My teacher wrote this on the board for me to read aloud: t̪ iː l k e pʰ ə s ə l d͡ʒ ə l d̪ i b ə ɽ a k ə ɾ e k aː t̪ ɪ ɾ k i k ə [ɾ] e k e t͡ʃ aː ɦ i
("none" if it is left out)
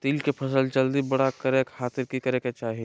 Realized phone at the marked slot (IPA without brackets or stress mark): ɾ